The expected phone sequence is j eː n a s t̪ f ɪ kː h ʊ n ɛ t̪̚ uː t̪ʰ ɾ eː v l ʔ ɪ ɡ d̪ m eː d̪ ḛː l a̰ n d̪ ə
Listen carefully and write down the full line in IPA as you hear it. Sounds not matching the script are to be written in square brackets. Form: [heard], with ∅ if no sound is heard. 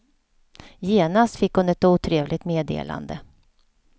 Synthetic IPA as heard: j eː n a s t̪ f ɪ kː h ʊ n ɛ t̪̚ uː t̪ʰ ɾ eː v l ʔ ɪ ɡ [t̪] m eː d̪ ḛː l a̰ n d̪ ə